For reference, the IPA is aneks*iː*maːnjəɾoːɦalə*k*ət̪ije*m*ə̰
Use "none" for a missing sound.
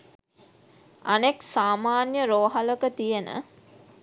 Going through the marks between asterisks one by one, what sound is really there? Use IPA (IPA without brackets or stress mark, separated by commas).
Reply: aː, k, n